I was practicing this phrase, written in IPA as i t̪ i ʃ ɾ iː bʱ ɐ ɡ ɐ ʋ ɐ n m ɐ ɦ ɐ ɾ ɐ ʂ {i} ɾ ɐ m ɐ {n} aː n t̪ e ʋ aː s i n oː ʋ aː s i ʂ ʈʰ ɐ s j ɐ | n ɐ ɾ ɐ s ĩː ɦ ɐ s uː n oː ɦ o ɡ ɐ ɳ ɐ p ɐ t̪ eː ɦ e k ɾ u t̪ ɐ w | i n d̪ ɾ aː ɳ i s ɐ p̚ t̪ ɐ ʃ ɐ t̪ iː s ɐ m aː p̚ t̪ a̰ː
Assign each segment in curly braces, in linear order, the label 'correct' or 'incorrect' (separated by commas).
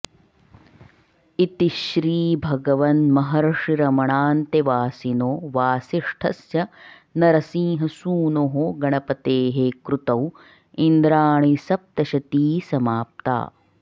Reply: correct, incorrect